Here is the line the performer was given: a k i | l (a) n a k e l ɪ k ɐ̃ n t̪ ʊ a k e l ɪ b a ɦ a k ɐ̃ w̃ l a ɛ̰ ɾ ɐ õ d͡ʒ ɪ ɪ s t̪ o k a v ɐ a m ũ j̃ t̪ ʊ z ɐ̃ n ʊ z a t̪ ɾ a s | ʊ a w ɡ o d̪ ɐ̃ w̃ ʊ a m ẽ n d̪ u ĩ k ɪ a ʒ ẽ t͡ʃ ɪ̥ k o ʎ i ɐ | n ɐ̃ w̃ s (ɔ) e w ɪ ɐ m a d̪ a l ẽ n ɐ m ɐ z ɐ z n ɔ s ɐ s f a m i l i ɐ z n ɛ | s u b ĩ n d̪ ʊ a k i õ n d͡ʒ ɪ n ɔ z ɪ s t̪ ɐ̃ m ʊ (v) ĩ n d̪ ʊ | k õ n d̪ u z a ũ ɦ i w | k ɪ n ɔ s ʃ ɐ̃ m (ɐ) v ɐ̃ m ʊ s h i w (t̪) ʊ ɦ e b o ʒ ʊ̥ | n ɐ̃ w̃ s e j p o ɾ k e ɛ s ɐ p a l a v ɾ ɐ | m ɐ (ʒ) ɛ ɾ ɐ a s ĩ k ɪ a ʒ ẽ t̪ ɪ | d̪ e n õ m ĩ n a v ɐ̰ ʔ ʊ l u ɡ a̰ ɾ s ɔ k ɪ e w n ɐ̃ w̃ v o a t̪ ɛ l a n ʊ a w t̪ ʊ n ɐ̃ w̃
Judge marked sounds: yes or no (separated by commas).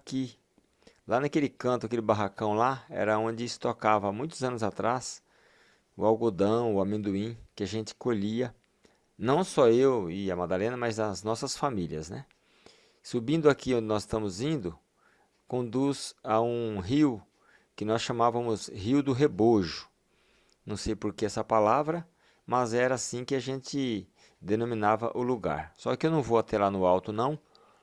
yes, yes, no, no, no, no